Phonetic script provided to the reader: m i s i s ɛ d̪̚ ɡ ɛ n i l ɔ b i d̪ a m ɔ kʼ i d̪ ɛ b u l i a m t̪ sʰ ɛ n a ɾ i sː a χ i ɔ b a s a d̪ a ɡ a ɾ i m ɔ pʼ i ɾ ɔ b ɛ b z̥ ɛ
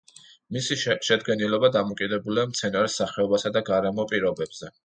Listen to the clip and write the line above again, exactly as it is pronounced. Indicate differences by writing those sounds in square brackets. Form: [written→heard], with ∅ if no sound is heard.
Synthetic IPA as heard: m i s i [s→ʃ] ɛ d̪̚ ɡ ɛ n i l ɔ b [i→a] d̪ a m ɔ kʼ i d̪ ɛ b u l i a m t̪ sʰ ɛ n a ɾ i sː a χ [i→ɛ] ɔ b a s a d̪ a ɡ a ɾ [i→ɛ] m ɔ pʼ i ɾ ɔ b ɛ b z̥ ɛ